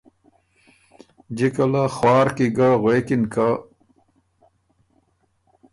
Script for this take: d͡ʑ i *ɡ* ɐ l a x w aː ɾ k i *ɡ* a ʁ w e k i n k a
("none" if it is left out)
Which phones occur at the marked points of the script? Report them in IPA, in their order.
k, ɡ

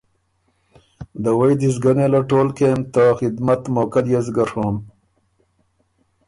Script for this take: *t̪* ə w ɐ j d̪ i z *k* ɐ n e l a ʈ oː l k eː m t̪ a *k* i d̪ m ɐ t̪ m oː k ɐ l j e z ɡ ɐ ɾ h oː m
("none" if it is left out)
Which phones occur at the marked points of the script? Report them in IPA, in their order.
d̪, ɡ, x

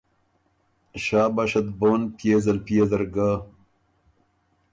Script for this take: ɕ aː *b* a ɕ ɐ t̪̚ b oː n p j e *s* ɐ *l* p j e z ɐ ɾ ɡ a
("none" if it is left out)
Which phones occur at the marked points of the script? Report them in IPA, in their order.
b, z, l

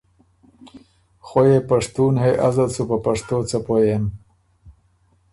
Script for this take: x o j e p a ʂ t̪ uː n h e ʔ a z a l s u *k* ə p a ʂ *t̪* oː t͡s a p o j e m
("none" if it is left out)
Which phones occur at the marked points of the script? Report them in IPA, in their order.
p, t̪

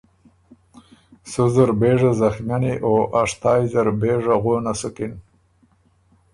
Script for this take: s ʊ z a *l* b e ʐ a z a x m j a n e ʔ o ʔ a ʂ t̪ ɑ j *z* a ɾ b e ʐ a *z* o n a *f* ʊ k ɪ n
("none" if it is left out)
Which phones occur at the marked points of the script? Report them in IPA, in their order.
ɾ, z, ɣ, s

